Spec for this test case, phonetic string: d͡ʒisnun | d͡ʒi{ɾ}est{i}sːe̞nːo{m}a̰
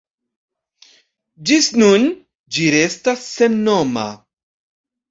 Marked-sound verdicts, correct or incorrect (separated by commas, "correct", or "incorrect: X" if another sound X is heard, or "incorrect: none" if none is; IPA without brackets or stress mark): correct, incorrect: a, correct